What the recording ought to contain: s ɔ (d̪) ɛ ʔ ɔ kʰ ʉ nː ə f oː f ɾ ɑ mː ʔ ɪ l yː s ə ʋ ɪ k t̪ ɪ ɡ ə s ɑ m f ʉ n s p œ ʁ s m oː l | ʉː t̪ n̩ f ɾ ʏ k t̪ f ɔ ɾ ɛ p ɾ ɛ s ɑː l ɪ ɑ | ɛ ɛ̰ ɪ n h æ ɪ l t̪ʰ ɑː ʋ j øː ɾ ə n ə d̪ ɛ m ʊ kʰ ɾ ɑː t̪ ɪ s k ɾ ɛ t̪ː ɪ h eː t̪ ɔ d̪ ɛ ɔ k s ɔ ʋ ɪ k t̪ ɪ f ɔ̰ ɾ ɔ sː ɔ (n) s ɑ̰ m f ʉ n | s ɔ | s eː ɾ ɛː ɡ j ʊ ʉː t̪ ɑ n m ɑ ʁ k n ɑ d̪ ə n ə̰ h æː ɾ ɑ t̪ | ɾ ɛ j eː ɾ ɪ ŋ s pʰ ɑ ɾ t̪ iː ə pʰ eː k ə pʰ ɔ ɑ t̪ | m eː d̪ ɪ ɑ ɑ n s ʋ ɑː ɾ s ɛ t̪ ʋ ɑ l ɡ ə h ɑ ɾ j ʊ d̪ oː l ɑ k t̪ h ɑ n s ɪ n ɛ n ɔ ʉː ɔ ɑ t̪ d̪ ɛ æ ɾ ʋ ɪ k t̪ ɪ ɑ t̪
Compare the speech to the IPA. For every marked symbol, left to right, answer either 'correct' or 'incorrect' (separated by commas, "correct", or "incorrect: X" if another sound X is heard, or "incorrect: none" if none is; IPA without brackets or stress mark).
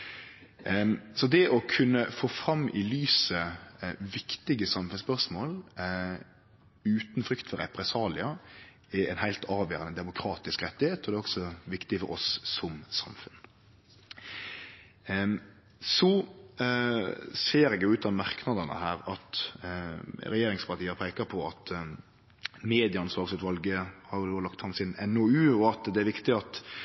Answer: correct, incorrect: m